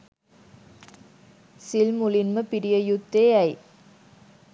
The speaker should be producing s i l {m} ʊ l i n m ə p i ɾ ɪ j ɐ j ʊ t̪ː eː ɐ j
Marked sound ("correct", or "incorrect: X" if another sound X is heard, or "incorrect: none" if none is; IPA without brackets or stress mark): correct